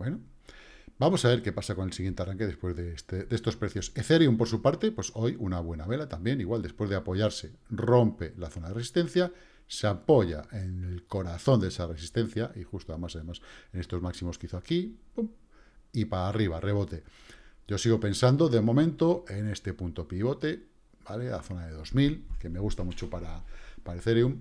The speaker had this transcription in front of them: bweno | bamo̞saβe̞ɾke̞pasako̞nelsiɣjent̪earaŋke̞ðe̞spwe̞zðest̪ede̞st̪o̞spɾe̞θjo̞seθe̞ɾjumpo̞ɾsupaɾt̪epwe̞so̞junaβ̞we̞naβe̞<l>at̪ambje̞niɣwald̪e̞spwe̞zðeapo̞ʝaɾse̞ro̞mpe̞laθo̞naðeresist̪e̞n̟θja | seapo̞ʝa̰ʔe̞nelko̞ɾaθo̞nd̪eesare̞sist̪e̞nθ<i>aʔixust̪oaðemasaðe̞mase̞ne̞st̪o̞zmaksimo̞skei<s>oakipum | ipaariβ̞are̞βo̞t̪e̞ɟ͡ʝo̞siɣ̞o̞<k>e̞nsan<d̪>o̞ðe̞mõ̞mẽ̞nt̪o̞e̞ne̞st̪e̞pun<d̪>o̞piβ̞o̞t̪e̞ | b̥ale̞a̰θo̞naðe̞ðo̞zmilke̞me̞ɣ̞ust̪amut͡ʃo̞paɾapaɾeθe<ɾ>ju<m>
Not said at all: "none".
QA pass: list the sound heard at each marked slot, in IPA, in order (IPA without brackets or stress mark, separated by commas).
l, j, θ, p, d̪, t̪, ɾ, m